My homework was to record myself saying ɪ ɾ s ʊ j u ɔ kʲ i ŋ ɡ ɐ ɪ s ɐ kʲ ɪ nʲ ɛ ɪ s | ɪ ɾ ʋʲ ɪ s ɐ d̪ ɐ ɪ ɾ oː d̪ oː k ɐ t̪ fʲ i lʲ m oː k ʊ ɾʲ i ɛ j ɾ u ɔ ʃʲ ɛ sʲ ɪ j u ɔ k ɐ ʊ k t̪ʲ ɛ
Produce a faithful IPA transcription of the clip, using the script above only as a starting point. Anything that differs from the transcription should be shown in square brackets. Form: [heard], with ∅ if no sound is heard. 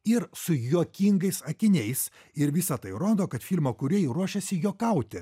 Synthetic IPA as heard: ɪ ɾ s ʊ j u ɔ kʲ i ŋ ɡ ɐ ɪ s ɐ kʲ ɪ nʲ ɛ ɪ s | ɪ ɾ ʋʲ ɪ s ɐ [t̪] ɐ ɪ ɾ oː d̪ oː k ɐ t̪ fʲ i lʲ m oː k ʊ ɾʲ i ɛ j ɾ u ɔ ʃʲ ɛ sʲ ɪ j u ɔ k ɐ ʊ [∅] t̪ʲ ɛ